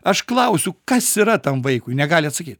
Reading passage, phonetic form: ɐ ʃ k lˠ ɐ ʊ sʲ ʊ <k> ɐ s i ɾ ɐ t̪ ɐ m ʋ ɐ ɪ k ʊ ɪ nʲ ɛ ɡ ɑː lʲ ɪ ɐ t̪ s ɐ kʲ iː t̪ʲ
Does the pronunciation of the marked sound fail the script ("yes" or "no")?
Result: no